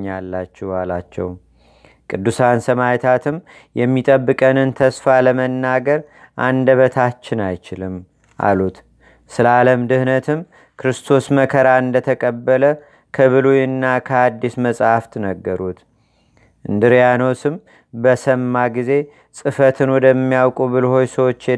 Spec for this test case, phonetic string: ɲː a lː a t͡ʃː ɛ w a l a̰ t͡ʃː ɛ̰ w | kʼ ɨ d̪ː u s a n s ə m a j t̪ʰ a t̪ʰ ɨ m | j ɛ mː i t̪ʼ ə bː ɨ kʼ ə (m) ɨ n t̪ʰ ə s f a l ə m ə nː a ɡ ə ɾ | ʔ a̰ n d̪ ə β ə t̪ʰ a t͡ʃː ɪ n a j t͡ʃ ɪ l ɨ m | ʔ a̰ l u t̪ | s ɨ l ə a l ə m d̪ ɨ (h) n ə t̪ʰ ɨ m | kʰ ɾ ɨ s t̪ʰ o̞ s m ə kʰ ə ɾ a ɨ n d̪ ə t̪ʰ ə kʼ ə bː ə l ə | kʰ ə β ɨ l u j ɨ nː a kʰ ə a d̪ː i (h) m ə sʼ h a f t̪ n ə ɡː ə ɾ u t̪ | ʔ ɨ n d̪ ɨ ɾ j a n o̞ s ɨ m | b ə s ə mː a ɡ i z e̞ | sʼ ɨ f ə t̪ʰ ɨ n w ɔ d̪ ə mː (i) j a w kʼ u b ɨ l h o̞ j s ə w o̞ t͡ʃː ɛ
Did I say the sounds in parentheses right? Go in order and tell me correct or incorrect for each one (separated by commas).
incorrect, correct, incorrect, correct